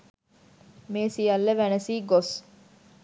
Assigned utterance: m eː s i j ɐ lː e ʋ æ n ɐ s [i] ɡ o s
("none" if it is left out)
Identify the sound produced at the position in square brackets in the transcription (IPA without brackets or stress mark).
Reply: iː